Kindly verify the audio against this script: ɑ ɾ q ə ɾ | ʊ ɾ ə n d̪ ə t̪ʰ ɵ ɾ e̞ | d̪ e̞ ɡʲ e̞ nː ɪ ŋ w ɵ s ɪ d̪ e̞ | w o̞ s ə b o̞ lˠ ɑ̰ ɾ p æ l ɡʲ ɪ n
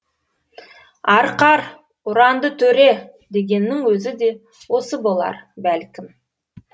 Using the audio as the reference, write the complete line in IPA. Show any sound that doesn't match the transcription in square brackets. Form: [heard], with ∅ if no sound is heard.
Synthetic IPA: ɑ ɾ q [ɑ] ɾ | ʊ ɾ [ɑ] n d̪ ə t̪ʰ ɵ ɾ e̞ | d̪ e̞ ɡʲ e̞ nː ɪ ŋ w ɵ [z] ɪ d̪ e̞ | w o̞ s ə b o̞ lˠ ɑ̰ ɾ [b] æ l [kʲ] ɪ [m]

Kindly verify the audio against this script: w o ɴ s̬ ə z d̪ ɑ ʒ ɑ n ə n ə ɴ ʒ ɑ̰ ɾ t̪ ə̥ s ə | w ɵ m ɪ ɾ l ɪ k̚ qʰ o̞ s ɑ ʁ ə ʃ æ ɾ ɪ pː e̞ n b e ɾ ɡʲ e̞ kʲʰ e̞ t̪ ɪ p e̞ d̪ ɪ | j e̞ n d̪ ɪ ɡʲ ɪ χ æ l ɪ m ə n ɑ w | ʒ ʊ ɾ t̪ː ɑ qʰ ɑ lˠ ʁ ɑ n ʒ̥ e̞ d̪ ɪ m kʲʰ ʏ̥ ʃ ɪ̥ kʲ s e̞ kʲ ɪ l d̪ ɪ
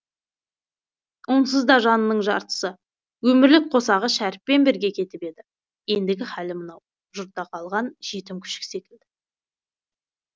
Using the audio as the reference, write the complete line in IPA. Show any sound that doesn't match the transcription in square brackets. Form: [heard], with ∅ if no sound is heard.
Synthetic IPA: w o [n] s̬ ə z d̪ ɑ ʒ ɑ n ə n ə ɴ ʒ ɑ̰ ɾ t̪ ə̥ s ə | w ɵ m ɪ ɾ l ɪ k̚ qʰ o̞ s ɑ ʁ ə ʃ æ ɾ ɪ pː e̞ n b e ɾ ɡʲ e̞ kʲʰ e̞ t̪ ɪ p e̞ d̪ ɪ | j e̞ n d̪ ɪ ɡʲ ɪ χ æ l ɪ m ə n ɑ w | ʒ ʊ ɾ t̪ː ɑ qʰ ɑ lˠ ʁ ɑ n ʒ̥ e̞ [t̪] ɪ m kʲʰ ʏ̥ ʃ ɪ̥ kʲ s e̞ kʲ ɪ l d̪ ɪ

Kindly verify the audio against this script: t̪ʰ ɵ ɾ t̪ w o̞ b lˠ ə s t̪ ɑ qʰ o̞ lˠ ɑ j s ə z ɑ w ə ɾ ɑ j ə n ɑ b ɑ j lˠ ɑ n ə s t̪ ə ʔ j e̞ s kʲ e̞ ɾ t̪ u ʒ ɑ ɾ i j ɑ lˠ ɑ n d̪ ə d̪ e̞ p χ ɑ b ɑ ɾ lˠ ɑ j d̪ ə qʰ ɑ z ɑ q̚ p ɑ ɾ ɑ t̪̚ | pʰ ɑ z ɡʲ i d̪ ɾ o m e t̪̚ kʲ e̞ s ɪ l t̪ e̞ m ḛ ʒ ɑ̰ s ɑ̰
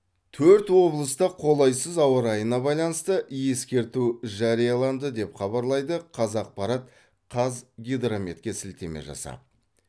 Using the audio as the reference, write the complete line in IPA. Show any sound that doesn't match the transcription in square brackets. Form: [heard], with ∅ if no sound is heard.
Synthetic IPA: t̪ʰ ɵ ɾ t̪ w o̞ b lˠ ə s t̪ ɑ qʰ o̞ lˠ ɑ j s ə z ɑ w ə ɾ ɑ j ə n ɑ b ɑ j lˠ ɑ n ə s t̪ ə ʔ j e̞ s kʲ e̞ ɾ t̪ u ʒ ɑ ɾ i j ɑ lˠ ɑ n d̪ ə d̪ e̞ p χ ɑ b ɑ ɾ lˠ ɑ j d̪ ə qʰ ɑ z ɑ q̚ p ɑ ɾ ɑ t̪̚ | [qʰ] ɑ z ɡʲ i d̪ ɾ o m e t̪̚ kʲ e̞ s ɪ l t̪ e̞ m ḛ ʒ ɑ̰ s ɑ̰

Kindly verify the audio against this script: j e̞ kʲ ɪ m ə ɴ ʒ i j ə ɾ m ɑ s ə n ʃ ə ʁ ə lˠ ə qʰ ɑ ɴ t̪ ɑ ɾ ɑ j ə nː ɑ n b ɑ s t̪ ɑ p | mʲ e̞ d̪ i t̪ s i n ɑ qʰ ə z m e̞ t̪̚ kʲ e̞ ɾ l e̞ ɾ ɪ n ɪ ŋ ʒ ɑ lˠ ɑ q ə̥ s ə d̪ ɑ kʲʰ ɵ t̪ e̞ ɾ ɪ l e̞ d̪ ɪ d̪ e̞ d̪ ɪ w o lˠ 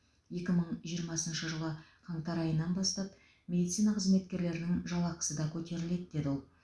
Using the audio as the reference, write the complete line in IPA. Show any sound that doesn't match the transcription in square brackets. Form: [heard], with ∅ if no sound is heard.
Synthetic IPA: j e̞ kʲ ɪ m ə ɴ ʒ i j ə ɾ m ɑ s ə n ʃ ə [ʒ] ə lˠ ə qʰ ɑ ɴ t̪ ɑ ɾ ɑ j ə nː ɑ n b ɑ s t̪ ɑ p | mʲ e̞ d̪ i t̪ s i n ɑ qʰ ə z m e̞ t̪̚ kʲ e̞ ɾ l e̞ ɾ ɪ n ɪ ŋ ʒ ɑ lˠ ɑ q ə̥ s ə d̪ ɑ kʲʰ ɵ t̪ e̞ ɾ ɪ l e̞ d̪ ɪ d̪ e̞ d̪ ɪ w o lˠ

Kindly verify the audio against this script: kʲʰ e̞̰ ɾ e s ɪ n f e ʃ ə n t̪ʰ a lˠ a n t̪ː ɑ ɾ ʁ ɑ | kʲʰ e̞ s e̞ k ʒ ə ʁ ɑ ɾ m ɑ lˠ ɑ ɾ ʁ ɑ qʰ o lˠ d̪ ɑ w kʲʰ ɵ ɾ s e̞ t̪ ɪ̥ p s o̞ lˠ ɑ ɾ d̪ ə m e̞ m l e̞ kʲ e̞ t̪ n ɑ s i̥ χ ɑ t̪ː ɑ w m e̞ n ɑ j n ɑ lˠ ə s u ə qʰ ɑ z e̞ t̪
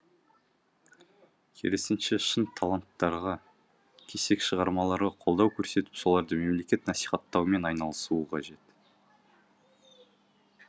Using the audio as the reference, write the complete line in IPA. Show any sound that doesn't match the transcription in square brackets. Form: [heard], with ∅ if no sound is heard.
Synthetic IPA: kʲʰ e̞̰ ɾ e s ɪ n [ʃ] e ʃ ə n t̪ʰ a lˠ a n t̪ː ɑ ɾ ʁ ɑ | kʲʰ e̞ s e̞ k [ʃ] ə ʁ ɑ ɾ m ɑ lˠ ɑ ɾ ʁ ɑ qʰ o lˠ d̪ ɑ w kʲʰ ɵ ɾ s e̞ t̪ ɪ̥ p s o̞ lˠ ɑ ɾ d̪ ə m e̞ m l e̞ kʲ e̞ t̪ n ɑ s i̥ χ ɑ t̪ː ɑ w m e̞ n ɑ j n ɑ lˠ ə s u ə qʰ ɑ [ʒ] e̞ t̪

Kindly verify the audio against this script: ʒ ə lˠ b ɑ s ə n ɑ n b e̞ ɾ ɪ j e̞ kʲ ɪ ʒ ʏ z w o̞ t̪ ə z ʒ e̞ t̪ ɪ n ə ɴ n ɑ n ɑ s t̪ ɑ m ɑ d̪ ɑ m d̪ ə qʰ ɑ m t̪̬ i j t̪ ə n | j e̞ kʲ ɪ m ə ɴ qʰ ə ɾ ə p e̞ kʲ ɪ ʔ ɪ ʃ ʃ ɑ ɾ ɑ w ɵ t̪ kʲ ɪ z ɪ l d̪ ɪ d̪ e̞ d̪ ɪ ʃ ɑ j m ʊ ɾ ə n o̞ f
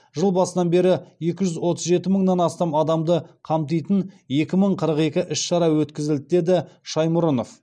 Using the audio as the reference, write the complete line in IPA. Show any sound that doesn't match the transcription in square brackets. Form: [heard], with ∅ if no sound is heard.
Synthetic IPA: ʒ ə lˠ b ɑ s ə n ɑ n b e̞ ɾ ɪ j e̞ kʲ ɪ ʒ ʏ z w o̞ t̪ ə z ʒ e̞ t̪ ɪ [m] ə ɴ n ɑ n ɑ s t̪ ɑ m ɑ d̪ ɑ m d̪ ə qʰ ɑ m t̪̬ i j t̪ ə n | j e̞ kʲ ɪ m ə ɴ qʰ ə ɾ ə [q] e̞ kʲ ɪ ʔ ɪ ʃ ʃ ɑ ɾ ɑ w ɵ t̪ kʲ ɪ z ɪ l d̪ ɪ d̪ e̞ d̪ ɪ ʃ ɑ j m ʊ ɾ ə n o̞ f

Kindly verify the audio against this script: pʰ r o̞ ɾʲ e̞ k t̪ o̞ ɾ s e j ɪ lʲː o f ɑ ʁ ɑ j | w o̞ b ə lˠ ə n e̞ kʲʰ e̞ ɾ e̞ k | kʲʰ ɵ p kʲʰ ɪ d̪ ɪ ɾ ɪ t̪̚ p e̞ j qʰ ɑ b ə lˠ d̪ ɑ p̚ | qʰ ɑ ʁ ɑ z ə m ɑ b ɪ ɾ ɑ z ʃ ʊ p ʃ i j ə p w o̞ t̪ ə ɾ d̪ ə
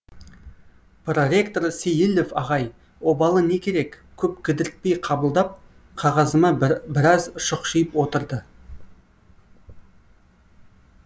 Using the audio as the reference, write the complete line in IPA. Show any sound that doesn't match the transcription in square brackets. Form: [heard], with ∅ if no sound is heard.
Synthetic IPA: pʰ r o̞ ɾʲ e̞ k t̪ o̞ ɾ s e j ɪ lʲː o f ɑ ʁ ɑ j | w o̞ b [ɑ] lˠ ə n e̞ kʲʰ e̞ ɾ e̞ k | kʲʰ ɵ p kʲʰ ɪ d̪ ɪ ɾ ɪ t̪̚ p e̞ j qʰ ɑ b ə lˠ d̪ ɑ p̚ | qʰ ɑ ʁ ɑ z ə m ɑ b ɪ ɾ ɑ z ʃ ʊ [q] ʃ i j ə p w o̞ t̪ ə ɾ d̪ ə

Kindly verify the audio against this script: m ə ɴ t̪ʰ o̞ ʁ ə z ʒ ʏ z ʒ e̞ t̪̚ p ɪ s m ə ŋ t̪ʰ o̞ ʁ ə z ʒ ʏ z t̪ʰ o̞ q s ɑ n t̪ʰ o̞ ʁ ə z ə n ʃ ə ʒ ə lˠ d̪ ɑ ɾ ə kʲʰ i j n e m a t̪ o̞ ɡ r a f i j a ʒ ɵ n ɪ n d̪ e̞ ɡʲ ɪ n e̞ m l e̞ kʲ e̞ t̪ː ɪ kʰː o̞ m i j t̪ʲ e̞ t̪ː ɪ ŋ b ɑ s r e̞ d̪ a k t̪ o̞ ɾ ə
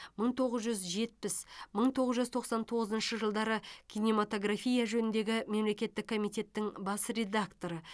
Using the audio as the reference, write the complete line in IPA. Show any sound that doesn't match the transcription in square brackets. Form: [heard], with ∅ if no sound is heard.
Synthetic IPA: m ə ɴ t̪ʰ o̞ ʁ ə z ʒ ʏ z ʒ e̞ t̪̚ p ɪ s m ə [ɴ] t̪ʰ o̞ ʁ ə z ʒ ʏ z t̪ʰ o̞ q s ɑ n t̪ʰ o̞ ʁ ə z ə n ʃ ə ʒ ə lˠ d̪ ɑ ɾ ə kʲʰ i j n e m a t̪ o̞ ɡ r a f i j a ʒ ɵ n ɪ n d̪ e̞ ɡʲ ɪ [m] e̞ m l e̞ kʲ e̞ t̪ː ɪ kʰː o̞ m i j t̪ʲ e̞ t̪ː ɪ ŋ b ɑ s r e̞ d̪ a k t̪ o̞ ɾ ə

